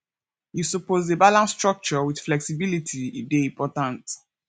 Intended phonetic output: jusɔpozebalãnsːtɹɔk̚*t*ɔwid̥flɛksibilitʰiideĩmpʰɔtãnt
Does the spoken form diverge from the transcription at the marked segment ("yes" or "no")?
yes